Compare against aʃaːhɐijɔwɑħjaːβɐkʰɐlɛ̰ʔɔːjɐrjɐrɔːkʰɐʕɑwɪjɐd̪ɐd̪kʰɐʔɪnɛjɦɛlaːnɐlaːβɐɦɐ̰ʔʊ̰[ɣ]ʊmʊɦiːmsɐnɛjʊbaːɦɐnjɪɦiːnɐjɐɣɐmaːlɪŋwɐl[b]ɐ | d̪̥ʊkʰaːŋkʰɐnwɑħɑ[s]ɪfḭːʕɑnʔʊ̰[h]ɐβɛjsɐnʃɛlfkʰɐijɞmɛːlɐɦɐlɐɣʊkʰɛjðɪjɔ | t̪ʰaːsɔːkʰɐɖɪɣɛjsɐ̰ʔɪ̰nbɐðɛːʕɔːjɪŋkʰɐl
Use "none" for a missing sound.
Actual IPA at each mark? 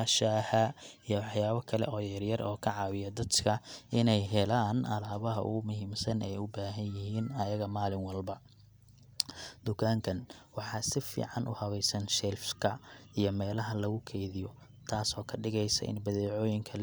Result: ɣ, b, s, h

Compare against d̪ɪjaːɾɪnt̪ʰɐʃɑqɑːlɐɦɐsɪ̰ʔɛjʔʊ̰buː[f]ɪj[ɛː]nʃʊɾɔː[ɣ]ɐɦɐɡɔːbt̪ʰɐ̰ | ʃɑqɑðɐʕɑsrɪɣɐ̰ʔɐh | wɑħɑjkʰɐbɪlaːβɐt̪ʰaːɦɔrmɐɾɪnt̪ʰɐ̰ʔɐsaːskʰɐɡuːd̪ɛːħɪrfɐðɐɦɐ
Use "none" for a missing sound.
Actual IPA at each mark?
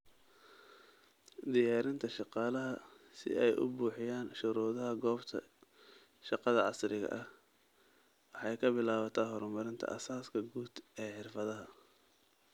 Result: ħ, aː, ð

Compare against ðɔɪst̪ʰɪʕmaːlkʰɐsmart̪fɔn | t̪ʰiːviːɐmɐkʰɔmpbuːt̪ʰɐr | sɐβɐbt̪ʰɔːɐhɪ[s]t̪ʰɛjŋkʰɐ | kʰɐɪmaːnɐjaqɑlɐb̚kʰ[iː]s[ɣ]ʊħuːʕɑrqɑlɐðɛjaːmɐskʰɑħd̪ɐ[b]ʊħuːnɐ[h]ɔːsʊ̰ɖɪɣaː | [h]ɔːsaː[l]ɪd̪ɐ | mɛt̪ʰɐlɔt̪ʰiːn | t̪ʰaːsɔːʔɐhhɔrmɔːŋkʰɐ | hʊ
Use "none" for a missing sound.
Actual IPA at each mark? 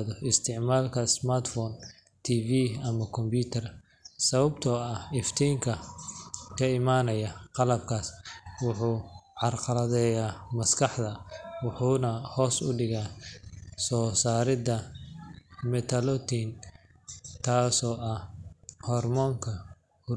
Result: f, aː, w, w, h, s, ɾ

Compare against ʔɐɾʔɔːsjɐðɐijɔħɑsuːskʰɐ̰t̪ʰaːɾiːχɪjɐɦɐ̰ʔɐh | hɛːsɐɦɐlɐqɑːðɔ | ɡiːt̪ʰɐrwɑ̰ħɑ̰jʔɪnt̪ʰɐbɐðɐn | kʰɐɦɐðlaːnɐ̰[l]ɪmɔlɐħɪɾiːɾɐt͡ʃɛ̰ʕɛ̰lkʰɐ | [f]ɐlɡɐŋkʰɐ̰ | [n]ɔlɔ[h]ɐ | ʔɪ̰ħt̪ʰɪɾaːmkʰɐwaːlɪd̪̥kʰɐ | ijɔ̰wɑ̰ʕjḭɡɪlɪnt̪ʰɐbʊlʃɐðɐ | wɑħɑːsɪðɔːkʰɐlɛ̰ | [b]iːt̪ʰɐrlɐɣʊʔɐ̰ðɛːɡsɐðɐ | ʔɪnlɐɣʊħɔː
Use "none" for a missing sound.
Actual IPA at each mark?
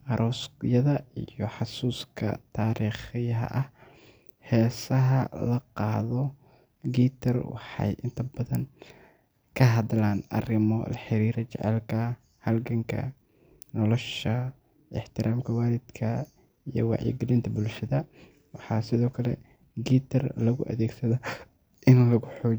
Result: r, h, n, ʃ, ɡ

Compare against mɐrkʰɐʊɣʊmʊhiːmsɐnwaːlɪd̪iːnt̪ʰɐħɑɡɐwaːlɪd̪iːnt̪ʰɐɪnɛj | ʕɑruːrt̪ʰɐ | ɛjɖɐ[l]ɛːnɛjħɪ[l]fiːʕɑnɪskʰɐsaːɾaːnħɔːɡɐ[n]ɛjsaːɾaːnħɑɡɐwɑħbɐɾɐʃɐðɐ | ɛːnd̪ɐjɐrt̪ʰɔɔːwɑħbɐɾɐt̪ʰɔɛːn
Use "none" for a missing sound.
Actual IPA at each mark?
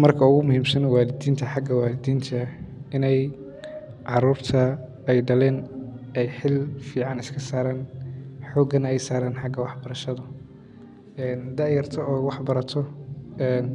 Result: l, l, n

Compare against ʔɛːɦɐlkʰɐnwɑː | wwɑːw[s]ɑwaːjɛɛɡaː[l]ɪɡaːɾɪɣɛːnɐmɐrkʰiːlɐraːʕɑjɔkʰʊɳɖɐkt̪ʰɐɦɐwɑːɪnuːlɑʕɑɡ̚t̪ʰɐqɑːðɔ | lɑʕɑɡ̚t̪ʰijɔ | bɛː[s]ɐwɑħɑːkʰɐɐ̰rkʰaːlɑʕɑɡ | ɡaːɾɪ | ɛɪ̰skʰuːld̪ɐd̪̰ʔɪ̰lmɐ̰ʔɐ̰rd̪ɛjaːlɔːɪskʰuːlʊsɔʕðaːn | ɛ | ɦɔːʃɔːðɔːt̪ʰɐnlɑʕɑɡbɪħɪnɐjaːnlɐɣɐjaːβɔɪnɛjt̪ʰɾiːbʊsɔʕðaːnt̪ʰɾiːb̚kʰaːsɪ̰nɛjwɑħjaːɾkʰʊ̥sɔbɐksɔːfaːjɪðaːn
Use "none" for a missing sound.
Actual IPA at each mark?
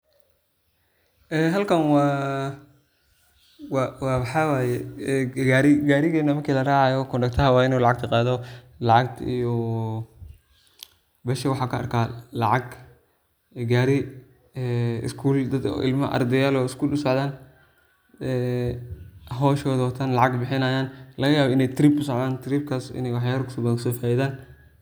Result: ħ, ɾ, ʃ

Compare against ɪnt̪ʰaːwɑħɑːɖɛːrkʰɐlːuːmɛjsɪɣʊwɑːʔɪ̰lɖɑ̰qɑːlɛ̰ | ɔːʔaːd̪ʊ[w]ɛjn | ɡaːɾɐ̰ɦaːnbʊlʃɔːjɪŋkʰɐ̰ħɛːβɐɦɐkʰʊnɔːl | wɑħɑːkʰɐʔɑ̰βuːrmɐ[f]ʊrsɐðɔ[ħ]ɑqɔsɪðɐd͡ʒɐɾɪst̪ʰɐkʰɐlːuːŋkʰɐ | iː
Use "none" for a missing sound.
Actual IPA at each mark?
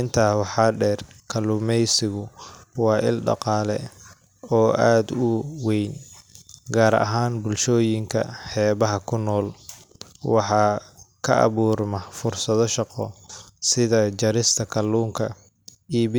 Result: w, f, ʃ

